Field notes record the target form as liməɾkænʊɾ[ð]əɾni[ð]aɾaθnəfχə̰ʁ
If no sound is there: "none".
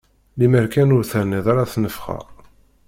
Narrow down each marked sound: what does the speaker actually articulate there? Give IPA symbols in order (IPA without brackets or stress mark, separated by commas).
θ, ð